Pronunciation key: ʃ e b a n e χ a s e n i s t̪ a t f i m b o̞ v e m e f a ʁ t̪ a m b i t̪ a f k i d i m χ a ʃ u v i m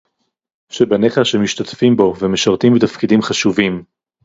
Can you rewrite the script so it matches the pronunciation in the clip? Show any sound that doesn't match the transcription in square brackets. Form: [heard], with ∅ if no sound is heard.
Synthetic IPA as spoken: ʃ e b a n e χ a [ʃ] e [m] i [ʃ] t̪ a t f i m b o̞ v e m e [ʃ] a ʁ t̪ [i] m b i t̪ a f k i d i m χ a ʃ u v i m